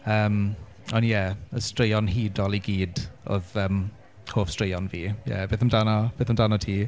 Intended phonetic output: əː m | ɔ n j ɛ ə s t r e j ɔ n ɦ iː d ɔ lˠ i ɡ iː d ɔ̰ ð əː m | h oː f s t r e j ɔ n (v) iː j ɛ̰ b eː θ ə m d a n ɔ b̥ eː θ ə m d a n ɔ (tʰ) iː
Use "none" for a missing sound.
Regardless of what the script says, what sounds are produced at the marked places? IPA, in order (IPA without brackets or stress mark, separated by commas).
v, tʰ